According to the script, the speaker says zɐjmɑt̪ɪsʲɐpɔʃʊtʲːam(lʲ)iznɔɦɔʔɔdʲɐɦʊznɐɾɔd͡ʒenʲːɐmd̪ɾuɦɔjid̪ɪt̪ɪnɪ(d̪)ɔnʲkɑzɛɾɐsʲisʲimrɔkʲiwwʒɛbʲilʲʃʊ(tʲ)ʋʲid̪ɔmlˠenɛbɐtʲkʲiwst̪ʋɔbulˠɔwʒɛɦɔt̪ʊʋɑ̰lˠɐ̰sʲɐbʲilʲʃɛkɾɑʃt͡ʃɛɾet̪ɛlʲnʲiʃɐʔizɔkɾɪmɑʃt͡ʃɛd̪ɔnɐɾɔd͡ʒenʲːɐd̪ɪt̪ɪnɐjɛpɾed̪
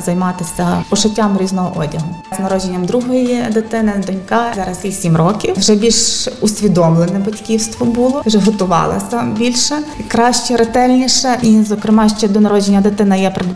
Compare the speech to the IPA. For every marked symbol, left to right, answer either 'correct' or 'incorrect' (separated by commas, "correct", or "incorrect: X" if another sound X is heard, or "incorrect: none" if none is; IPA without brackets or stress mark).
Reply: incorrect: ɾʲ, correct, incorrect: sʲ